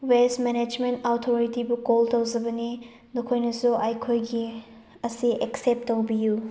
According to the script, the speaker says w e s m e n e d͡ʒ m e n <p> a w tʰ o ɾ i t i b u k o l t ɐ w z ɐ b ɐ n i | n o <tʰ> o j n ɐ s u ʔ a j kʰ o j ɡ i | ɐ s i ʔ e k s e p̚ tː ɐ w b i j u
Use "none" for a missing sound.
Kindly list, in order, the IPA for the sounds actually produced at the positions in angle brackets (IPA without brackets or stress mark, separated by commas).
t, kʰ